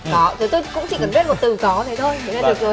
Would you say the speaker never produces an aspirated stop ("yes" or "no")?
no